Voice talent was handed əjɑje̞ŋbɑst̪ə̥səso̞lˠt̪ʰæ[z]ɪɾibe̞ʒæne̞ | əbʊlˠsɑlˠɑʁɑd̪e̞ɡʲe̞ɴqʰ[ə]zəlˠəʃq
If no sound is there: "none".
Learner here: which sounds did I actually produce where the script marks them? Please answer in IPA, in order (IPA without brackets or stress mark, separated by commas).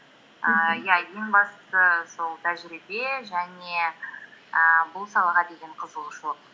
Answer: ʒ, ə